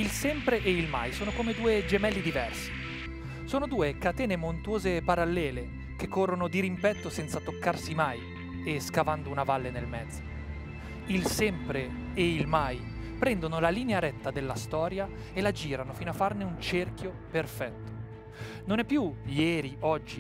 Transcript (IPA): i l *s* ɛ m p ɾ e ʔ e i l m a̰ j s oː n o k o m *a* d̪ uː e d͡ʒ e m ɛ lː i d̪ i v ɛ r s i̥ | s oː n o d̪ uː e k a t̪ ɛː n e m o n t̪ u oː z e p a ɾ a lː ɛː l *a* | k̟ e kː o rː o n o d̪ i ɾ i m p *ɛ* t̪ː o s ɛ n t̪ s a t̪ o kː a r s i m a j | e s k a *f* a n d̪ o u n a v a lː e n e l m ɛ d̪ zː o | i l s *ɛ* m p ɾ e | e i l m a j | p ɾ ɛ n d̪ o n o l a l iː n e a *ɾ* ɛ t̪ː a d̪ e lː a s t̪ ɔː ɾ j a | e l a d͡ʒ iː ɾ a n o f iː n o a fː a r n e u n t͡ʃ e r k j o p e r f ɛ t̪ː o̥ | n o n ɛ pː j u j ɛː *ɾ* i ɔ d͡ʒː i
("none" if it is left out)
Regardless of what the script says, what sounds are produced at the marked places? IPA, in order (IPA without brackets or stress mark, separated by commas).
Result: s, e, e, ɛ, v, ɛ, ɾ, ɾ